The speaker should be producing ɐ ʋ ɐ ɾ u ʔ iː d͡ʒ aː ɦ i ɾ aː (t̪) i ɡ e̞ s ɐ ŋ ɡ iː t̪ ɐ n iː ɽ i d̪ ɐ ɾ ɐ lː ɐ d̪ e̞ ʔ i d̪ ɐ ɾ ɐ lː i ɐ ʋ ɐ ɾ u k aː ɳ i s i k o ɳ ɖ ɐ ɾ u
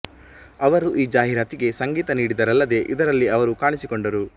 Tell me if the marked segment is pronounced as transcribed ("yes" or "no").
yes